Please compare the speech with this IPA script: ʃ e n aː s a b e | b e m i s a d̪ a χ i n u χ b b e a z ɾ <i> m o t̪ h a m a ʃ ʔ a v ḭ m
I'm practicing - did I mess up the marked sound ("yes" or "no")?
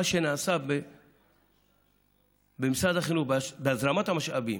yes